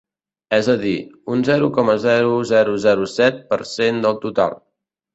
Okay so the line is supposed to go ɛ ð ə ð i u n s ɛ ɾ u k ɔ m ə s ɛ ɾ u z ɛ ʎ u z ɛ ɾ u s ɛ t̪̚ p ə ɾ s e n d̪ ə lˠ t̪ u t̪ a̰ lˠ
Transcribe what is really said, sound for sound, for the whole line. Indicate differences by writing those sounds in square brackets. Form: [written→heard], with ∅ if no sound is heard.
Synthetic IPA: ɛ [ð→z] ə ð i u n [s→z] ɛ ɾ u k ɔ m ə [s→z] ɛ ɾ u z ɛ [ʎ→ɾ] u z ɛ ɾ u s ɛ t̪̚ p ə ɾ s e n d̪ ə lˠ t̪ u t̪ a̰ lˠ